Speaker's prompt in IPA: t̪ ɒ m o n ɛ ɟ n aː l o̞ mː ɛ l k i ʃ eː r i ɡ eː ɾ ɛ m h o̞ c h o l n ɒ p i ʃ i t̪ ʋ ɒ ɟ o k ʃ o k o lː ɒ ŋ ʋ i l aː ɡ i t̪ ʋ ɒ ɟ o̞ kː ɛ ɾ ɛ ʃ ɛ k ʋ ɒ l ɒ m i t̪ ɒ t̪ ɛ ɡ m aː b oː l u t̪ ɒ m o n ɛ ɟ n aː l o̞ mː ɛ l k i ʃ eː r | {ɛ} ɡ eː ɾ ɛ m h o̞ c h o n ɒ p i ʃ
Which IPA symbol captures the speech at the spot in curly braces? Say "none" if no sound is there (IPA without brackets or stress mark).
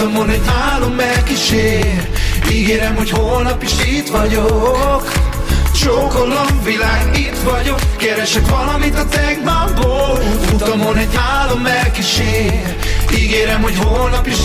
i